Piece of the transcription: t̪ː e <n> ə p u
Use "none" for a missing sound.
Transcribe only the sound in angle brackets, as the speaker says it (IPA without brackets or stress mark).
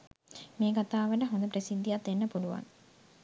nː